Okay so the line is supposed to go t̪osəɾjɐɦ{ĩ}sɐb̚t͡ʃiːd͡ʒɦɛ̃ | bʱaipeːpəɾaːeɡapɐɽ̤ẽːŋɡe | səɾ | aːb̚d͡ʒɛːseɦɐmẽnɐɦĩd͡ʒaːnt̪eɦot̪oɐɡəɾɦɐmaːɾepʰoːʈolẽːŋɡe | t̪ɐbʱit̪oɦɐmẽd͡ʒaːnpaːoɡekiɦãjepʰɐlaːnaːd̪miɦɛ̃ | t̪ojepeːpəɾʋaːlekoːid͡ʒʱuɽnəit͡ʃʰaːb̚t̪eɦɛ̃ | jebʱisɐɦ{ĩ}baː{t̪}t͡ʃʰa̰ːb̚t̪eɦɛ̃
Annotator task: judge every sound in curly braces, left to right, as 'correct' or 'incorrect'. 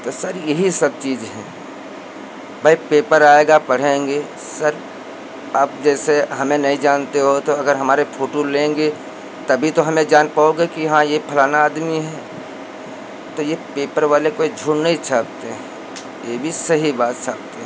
incorrect, incorrect, correct

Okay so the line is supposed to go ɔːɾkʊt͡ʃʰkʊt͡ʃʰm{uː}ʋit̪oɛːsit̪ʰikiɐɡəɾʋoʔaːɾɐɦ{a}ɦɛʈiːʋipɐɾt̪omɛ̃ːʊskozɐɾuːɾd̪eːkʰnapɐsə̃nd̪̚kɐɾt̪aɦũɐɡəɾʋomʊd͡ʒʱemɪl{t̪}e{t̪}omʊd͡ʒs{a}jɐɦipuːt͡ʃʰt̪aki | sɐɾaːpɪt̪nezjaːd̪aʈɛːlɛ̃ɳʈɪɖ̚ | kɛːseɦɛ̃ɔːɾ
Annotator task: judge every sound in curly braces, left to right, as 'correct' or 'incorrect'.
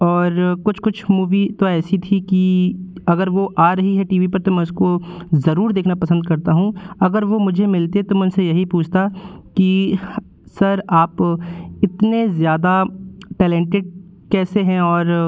correct, incorrect, correct, correct, incorrect

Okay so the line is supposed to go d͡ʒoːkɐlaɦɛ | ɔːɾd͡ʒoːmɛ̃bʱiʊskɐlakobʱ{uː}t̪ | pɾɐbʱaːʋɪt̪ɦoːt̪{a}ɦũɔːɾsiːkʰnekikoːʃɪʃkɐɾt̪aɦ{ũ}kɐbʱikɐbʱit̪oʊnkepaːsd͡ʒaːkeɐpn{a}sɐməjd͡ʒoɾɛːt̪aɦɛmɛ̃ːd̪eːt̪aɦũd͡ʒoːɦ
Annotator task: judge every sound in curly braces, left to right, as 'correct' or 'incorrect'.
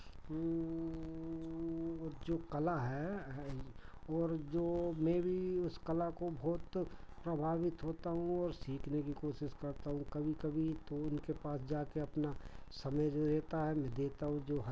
incorrect, correct, correct, correct

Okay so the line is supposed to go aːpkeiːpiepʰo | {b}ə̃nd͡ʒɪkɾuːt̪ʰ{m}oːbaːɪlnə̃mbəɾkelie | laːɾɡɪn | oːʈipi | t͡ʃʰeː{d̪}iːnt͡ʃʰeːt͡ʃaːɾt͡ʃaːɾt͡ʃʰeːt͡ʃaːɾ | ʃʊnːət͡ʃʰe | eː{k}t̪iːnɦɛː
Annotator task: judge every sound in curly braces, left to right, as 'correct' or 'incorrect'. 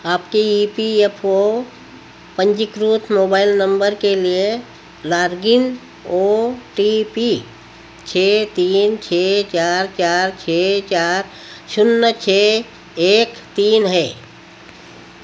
incorrect, correct, incorrect, correct

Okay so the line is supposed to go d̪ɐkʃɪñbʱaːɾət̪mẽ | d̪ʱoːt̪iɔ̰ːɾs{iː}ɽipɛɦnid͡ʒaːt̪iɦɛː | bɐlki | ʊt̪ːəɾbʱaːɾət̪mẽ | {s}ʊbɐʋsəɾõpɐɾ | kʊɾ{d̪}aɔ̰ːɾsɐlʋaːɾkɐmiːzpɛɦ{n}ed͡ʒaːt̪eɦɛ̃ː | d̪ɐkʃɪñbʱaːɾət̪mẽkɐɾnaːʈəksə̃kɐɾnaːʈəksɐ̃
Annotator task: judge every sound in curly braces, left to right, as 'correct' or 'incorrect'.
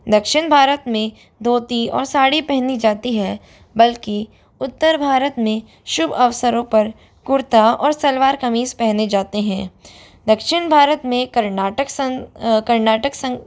incorrect, incorrect, incorrect, correct

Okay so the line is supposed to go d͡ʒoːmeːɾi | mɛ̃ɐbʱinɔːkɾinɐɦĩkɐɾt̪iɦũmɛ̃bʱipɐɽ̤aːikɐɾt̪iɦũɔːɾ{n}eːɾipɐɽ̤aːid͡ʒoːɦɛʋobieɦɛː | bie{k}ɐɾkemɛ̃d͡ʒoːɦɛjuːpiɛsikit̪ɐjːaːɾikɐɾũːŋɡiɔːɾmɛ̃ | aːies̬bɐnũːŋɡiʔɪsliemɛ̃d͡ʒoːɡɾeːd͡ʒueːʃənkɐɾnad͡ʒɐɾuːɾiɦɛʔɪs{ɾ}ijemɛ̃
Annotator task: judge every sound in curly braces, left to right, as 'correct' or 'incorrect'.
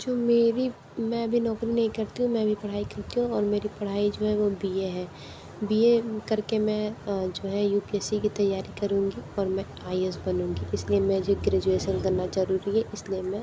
incorrect, correct, incorrect

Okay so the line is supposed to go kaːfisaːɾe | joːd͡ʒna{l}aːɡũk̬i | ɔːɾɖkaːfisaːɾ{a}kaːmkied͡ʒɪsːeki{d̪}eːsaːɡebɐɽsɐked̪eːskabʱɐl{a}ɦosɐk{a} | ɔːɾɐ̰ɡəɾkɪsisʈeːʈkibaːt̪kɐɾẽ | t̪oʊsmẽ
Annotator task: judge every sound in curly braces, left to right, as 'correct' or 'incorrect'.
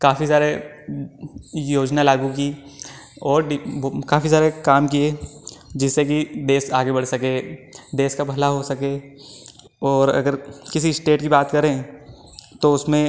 correct, incorrect, correct, correct, incorrect

